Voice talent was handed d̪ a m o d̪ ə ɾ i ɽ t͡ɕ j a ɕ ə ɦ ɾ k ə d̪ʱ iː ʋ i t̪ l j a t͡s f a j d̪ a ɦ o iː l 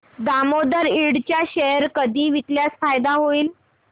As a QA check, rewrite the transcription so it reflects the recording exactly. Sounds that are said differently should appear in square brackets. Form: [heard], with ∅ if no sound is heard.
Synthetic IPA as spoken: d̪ a m o d̪ ə ɾ i ɽ t͡ɕ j a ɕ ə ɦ ɾ k ə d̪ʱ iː ʋ i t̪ l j a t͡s f a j d̪ a ɦ o iː l